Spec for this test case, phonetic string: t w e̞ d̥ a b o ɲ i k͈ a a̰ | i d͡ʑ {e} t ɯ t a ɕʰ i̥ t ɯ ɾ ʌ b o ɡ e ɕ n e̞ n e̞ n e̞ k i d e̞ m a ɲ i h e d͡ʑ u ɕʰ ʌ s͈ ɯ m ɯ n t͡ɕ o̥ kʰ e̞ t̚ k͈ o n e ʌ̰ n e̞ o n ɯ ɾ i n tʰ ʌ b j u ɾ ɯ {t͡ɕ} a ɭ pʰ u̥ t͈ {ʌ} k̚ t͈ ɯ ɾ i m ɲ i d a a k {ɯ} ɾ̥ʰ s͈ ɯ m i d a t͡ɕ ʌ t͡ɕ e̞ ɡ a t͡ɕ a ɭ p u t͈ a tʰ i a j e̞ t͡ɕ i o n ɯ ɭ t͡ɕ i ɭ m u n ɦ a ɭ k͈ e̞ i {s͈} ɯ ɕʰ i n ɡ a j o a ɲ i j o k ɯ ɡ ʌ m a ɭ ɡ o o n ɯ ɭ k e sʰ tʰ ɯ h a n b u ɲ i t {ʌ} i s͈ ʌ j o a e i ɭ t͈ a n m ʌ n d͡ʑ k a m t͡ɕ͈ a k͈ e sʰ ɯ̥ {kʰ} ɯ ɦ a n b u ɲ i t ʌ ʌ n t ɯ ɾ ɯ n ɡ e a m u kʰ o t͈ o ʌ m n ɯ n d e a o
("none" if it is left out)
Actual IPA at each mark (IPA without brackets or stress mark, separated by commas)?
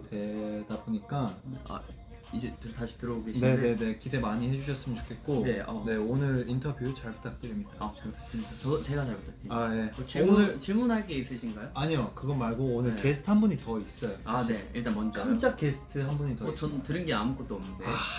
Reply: e, t͡ɕ, a, ɯ, s͈, ʌ, tʰ